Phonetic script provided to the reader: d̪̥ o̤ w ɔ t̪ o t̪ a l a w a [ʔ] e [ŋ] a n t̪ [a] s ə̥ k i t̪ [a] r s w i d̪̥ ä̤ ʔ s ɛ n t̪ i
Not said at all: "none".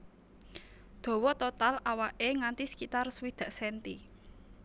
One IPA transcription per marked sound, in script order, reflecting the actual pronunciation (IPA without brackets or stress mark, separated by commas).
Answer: ʔ, ŋ, i, a